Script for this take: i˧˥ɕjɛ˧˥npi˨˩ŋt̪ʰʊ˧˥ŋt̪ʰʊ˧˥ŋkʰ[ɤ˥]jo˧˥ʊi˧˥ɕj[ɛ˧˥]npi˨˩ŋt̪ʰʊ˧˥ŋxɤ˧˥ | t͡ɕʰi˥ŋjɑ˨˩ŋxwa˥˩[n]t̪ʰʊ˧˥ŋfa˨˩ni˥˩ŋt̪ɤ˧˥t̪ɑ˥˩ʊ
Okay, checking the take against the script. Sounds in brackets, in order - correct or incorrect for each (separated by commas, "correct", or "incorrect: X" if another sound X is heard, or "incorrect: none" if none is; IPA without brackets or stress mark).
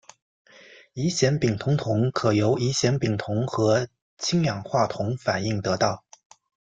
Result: incorrect: ɤ˨˩, correct, incorrect: none